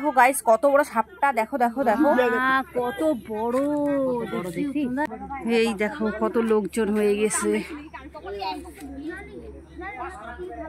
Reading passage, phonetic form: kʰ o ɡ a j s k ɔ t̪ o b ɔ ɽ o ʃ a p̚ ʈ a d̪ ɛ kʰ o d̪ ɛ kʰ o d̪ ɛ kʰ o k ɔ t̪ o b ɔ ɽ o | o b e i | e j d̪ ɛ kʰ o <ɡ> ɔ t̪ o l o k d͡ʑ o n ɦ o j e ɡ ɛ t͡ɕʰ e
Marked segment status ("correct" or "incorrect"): incorrect